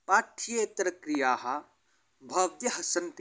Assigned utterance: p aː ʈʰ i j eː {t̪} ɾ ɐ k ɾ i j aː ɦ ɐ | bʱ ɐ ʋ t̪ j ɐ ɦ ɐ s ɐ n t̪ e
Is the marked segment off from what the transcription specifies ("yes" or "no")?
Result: no